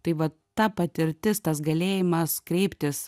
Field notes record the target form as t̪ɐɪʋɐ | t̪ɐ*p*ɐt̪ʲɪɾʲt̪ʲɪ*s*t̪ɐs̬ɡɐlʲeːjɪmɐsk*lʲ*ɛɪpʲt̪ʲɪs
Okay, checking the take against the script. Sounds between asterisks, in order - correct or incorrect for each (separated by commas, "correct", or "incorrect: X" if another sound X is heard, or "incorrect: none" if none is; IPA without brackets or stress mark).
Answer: correct, correct, incorrect: ɾʲ